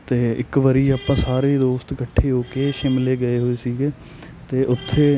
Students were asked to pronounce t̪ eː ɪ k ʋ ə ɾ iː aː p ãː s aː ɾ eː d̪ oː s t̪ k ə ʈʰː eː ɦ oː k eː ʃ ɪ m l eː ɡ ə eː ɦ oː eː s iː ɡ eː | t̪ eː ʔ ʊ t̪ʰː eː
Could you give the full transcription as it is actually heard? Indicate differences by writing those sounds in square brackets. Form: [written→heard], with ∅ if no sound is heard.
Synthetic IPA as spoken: t̪ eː ɪ k ʋ ə ɾ iː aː p ãː s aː ɾ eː d̪ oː s t̪ k ə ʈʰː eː ɦ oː k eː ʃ ɪ m l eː ɡ ə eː ɦ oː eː s iː ɡ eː | t̪ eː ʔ ʊ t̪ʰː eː